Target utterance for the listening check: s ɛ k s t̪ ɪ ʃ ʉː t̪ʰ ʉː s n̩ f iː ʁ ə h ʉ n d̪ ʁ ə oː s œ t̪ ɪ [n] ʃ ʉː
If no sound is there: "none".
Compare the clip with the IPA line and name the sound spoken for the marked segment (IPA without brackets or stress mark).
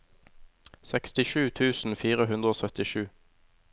none